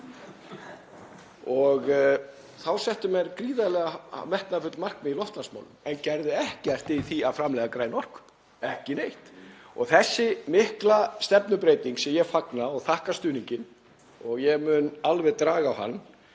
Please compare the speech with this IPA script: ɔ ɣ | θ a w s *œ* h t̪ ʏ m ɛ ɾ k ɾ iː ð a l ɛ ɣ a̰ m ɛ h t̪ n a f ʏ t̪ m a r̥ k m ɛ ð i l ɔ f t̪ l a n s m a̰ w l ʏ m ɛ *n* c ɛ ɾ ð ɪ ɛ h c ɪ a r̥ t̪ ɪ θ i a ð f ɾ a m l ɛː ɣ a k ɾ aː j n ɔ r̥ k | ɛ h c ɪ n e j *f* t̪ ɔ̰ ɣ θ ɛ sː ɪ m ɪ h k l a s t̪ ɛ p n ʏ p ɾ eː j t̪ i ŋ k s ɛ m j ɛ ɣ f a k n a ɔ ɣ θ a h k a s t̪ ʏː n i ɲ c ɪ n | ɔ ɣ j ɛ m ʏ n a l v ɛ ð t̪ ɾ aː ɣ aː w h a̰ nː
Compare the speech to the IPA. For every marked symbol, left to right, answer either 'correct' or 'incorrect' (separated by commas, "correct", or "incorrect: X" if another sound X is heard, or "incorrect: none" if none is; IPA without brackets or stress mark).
incorrect: ɛ, correct, incorrect: h